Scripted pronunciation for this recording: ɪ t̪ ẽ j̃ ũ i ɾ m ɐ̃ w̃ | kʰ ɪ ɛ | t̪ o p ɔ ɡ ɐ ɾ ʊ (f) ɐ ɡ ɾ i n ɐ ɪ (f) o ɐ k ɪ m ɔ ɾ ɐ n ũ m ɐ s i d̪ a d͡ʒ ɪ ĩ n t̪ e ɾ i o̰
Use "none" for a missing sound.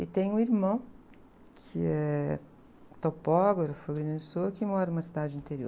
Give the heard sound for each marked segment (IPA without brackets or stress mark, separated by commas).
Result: f, s